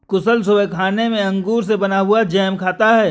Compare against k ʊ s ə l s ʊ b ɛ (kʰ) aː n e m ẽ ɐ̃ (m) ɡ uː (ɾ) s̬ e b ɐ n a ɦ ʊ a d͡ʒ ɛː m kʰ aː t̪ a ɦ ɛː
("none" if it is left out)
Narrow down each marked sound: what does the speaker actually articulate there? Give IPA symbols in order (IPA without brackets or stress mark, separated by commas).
kʰ, ŋ, ɾ